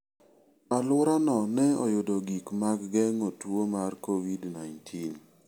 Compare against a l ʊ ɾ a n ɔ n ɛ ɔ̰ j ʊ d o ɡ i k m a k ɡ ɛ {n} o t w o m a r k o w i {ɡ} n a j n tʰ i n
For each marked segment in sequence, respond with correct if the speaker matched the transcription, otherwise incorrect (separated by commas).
incorrect, incorrect